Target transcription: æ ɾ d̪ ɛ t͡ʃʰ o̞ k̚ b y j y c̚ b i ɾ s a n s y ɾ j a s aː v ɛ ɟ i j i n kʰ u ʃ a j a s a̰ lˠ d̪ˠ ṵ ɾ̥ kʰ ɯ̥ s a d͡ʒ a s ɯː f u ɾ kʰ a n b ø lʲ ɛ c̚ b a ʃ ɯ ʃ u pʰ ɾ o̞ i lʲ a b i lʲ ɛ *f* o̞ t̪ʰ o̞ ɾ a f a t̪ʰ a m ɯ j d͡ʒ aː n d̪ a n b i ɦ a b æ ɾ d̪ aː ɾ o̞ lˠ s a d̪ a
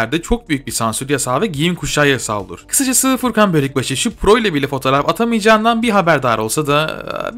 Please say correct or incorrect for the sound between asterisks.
correct